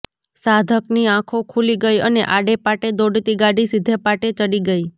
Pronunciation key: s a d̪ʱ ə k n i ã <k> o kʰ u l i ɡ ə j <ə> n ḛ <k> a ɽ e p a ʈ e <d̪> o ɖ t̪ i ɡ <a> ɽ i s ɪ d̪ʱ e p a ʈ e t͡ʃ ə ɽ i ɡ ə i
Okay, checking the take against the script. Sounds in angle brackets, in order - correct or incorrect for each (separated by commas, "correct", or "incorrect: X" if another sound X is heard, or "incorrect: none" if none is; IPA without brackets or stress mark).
incorrect: kʰ, correct, incorrect: ʔ, correct, correct